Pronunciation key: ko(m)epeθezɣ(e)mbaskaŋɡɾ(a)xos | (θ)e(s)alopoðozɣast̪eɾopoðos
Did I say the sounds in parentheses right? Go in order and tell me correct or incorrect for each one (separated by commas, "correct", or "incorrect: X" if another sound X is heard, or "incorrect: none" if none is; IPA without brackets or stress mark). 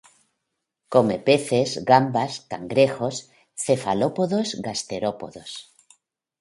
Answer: correct, incorrect: a, incorrect: e, correct, incorrect: f